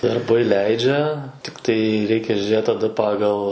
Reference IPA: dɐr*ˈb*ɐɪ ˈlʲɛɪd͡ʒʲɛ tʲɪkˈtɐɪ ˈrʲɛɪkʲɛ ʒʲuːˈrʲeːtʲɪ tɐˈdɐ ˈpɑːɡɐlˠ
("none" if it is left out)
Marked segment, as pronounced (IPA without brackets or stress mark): b